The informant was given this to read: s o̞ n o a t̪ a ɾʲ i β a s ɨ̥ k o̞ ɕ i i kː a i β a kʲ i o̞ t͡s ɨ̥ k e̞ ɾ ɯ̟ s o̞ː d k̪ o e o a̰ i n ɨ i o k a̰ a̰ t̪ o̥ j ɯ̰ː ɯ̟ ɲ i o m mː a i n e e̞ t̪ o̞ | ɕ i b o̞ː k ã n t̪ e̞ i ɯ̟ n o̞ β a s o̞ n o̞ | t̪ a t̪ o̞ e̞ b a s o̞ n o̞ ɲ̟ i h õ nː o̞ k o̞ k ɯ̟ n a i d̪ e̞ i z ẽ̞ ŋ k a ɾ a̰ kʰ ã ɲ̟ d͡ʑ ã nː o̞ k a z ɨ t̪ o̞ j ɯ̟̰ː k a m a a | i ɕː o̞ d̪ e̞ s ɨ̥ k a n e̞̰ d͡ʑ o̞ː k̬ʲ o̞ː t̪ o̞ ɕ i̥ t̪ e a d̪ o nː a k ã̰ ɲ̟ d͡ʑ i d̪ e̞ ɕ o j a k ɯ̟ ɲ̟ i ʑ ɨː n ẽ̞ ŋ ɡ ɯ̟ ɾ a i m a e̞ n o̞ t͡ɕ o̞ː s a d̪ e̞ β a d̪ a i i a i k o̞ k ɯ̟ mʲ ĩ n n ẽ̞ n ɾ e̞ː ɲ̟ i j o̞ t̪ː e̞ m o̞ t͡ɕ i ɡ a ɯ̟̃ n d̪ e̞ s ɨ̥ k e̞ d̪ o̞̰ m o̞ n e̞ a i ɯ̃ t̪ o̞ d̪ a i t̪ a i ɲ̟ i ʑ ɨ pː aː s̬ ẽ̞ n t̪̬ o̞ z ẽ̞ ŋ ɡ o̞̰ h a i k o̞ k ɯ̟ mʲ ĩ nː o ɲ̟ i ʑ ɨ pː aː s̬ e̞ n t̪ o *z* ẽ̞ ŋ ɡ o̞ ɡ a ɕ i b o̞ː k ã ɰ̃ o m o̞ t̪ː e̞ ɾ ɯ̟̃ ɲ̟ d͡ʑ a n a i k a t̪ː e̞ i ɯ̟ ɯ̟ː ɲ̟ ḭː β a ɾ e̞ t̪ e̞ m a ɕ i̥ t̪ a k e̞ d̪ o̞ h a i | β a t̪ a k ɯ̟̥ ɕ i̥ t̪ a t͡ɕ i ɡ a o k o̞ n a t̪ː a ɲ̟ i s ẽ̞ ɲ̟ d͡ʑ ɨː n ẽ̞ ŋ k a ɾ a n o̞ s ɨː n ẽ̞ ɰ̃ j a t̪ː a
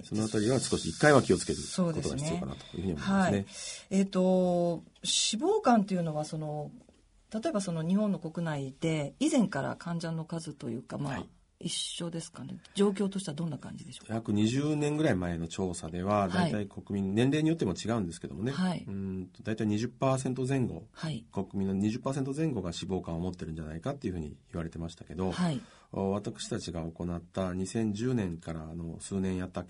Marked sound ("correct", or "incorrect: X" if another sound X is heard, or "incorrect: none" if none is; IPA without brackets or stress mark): correct